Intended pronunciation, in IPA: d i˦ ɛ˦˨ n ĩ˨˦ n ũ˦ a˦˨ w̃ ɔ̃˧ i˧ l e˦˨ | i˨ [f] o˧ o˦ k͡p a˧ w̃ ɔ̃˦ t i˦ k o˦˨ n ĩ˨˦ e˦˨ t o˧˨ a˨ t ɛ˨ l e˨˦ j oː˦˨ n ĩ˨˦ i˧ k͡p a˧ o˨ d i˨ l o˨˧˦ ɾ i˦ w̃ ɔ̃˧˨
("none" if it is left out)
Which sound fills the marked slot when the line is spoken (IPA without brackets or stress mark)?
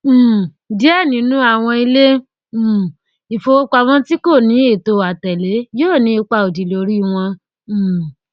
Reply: f